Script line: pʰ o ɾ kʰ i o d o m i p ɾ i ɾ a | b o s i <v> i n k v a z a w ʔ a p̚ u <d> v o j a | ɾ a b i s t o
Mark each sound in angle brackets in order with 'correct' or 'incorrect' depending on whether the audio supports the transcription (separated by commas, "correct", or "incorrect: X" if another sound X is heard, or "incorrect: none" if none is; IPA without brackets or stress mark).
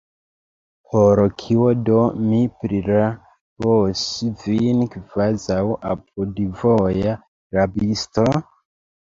correct, correct